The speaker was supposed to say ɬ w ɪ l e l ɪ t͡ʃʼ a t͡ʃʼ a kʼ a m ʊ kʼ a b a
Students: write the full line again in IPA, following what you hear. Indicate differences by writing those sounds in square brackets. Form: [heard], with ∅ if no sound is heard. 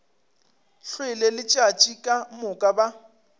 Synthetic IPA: ɬ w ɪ l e l ɪ t͡ʃʼ a t͡ʃʼ [i] kʼ a m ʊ kʼ a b a